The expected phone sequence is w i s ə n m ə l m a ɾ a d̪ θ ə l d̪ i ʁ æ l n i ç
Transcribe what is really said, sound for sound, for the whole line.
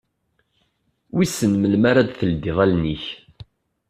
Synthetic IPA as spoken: w i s ə n m ə l m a ɾ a d̪ θ ə l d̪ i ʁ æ l n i ç

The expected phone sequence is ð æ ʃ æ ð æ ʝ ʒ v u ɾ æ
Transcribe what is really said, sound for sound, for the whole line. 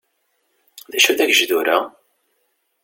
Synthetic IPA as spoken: ð æ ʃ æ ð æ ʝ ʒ ð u ɾ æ

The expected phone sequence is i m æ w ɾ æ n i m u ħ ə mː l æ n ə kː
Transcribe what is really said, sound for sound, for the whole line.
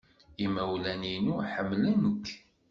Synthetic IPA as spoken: i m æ w l æ n i n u ħ ə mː l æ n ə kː

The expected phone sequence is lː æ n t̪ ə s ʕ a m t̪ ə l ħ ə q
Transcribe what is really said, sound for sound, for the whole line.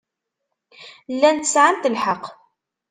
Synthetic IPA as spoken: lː æ n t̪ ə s ʕ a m t̪ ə l ħ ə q

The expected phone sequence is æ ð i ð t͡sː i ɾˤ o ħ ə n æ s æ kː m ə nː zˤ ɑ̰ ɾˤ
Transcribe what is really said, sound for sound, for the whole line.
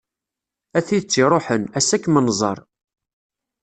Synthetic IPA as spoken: æ θ i ð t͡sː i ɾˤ o ħ ə n æ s æ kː m ə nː zˤ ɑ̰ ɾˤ

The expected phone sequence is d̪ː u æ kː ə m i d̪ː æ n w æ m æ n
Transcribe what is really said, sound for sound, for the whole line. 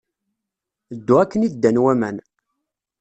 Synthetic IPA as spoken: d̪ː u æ kː ə n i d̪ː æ n w æ m æ n

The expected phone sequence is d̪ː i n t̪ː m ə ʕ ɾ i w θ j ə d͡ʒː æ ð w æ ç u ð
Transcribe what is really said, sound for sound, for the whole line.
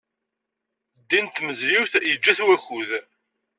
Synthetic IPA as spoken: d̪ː i n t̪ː m ə z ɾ i w θ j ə d͡ʒː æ θ w æ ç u ð

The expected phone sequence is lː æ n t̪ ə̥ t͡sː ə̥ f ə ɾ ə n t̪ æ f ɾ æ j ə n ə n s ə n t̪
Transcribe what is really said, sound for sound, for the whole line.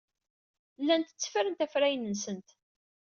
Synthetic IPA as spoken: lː æ n t̪ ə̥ t͡sː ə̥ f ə ɾ ə n t̪ æ f ɾ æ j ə n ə n s ə n t̪

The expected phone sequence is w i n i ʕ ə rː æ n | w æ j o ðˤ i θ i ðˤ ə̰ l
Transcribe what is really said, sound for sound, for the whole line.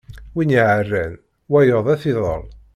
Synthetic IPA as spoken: w i n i ʕ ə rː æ n | w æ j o ðˤ æ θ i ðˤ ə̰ l

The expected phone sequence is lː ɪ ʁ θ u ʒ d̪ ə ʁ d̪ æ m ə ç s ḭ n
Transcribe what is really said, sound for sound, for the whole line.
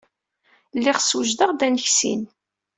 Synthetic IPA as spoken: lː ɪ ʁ s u ʒ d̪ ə ʁ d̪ æ n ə ç s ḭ n

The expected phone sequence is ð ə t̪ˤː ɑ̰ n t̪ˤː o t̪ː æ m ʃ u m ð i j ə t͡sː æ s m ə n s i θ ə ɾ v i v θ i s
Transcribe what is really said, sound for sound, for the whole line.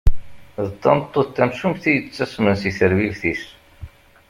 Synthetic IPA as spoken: ð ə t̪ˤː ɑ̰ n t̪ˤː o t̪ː æ m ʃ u m θ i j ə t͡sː æ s m ə n s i θ ə ɾ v i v θ i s

